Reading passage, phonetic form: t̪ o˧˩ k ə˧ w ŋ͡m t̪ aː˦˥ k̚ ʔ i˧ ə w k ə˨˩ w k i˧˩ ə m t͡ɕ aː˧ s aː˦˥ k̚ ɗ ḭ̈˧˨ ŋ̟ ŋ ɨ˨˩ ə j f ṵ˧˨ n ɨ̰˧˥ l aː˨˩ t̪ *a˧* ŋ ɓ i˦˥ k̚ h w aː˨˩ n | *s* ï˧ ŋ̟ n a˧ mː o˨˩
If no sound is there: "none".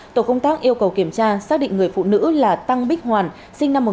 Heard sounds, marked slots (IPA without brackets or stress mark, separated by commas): a˧, s